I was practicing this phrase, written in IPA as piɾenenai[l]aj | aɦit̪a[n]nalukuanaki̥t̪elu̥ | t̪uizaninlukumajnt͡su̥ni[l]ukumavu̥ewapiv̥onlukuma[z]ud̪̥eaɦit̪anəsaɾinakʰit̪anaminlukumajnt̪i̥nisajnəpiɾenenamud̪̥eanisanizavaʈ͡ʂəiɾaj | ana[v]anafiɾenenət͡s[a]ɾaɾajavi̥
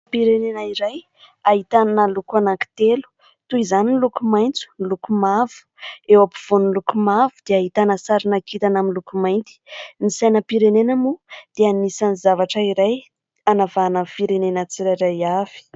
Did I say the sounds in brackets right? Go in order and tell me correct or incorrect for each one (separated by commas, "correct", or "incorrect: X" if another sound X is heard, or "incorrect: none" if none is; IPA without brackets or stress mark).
incorrect: ɾ, correct, correct, incorrect: v, correct, incorrect: i